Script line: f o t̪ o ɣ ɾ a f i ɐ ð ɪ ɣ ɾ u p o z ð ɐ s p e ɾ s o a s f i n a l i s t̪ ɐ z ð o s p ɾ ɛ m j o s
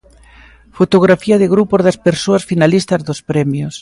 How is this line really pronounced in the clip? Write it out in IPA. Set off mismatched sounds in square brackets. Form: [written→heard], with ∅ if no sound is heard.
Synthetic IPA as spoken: f o t̪ o ɣ ɾ a f i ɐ ð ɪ ɣ ɾ u p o z ð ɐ s p e ɾ s o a s f i n a l i s t̪ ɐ z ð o s p ɾ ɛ m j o s